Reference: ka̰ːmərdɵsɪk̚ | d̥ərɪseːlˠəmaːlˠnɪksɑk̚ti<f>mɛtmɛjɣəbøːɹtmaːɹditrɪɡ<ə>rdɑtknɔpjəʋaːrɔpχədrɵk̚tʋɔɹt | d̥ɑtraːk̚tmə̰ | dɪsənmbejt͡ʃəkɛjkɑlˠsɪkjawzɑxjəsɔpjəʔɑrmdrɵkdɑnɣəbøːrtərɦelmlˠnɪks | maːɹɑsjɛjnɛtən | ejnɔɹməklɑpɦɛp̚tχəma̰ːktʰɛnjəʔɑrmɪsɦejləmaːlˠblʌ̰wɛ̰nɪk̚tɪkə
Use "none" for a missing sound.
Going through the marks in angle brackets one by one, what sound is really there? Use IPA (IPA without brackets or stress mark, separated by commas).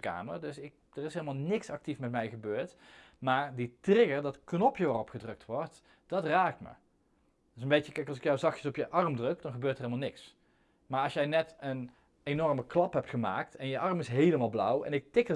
f, ə